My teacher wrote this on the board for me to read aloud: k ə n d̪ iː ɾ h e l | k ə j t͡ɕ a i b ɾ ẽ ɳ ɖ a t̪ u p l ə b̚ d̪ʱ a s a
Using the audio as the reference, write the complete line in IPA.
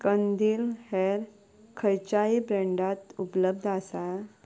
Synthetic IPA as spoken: k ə n d̪ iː l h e ɾ | kʰ ə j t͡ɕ a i b ɾ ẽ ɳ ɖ a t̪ u p l ə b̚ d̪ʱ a s a